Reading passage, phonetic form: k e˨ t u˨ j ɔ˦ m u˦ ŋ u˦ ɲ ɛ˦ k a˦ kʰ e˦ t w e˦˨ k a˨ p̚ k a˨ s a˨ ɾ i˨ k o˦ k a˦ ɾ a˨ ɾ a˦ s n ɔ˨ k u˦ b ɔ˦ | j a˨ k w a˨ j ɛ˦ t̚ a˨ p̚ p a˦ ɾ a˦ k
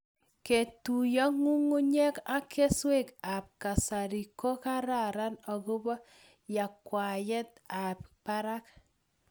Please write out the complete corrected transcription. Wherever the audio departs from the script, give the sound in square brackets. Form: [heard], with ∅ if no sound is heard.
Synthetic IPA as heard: k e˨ t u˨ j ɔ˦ [ŋ] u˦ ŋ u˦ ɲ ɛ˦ k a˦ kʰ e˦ [s] w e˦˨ k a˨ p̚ k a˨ s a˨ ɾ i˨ k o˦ k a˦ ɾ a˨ ɾ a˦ [∅] n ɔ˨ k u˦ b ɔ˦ | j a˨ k w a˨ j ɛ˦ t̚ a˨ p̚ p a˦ ɾ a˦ k